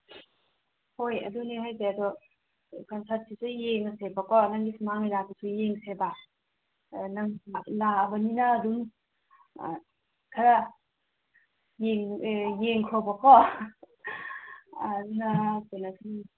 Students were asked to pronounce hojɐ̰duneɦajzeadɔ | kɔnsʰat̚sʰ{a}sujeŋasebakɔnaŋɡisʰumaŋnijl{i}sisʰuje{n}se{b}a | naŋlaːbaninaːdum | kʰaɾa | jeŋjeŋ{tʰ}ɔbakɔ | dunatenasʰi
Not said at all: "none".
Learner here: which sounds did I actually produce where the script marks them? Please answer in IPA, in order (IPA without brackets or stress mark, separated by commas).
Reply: i, a, ŋ, b, kʰ